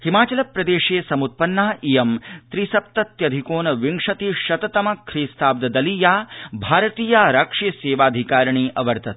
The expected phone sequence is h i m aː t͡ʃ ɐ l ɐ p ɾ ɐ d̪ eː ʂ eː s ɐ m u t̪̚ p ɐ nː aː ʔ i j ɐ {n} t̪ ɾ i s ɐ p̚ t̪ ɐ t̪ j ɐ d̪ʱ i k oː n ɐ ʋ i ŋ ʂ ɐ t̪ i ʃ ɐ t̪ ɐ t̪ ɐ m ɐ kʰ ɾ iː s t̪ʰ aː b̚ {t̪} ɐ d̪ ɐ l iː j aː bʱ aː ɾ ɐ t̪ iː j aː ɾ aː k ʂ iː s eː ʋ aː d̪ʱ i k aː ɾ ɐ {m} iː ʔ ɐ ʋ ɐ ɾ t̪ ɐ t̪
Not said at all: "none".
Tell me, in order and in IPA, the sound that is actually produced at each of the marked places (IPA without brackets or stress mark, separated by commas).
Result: m, d̪, ɳ